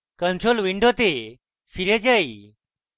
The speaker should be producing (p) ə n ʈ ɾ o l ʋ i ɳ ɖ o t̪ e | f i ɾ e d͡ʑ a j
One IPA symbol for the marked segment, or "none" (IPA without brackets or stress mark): k